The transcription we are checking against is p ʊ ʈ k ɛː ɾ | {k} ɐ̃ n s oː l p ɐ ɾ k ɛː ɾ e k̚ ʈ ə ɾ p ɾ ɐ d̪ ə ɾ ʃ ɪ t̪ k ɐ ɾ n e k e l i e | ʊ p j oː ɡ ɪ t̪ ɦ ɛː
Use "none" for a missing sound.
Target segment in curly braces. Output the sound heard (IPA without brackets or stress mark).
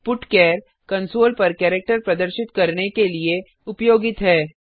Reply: k